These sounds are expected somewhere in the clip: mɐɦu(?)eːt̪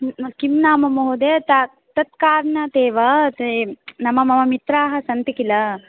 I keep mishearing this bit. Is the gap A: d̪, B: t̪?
A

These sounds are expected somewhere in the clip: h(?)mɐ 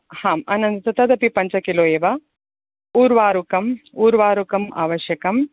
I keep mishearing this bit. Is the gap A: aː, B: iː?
A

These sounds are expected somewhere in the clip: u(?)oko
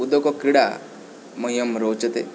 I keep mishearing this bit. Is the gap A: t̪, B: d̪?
B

